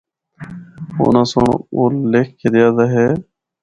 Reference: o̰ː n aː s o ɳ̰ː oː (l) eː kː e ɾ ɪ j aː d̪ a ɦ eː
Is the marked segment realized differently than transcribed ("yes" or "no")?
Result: no